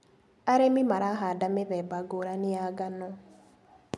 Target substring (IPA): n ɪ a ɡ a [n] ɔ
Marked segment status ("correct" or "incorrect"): correct